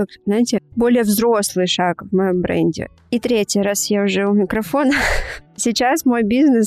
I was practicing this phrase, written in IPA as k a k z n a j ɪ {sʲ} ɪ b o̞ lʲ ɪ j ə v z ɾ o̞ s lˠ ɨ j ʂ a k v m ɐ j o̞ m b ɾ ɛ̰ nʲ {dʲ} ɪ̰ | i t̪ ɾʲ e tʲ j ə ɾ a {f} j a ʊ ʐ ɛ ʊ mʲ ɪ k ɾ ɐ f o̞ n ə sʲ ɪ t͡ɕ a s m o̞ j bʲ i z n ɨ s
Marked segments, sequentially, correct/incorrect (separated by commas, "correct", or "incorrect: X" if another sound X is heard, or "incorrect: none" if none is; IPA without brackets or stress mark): incorrect: tʲ, correct, incorrect: s